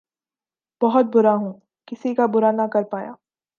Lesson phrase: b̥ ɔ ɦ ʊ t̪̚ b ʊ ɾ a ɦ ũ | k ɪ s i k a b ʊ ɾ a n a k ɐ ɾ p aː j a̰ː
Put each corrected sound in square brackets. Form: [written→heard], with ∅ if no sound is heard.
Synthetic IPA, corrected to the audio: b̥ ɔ ɦ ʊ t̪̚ b ʊ ɾ a ɦ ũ | k ɪ s i k a b ʊ ɾ a n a k ɐ ɾ p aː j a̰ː

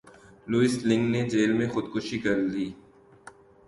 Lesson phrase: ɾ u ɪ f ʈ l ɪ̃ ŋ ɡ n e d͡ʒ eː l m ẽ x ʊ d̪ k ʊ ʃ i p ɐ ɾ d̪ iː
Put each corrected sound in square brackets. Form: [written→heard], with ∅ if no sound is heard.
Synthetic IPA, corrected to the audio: [ɾ→l] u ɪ [f→s] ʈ l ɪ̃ ŋ ɡ n e d͡ʒ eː l m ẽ x ʊ d̪ k ʊ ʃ i [p→k] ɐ ɾ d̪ iː

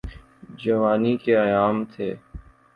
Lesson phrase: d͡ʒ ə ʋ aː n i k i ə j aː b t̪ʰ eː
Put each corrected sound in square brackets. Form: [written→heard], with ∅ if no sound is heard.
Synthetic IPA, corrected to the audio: d͡ʒ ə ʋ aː n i k [i→e] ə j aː [b→m] t̪ʰ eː

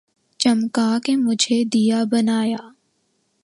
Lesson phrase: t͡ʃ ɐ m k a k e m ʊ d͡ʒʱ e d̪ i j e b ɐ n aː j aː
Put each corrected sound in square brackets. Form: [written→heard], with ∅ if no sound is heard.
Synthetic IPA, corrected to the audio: t͡ʃ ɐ m k a k e m ʊ d͡ʒʱ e d̪ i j [e→a] b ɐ n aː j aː

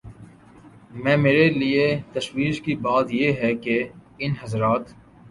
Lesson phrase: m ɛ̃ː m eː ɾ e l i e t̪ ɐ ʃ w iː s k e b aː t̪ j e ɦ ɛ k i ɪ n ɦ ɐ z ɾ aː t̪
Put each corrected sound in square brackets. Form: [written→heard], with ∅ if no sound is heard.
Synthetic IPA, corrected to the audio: m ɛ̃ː m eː ɾ e l i e t̪ ɐ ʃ w iː [s→ʃ] k [e→i] b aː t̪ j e ɦ ɛ k [i→e] ɪ n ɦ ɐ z ɾ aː t̪

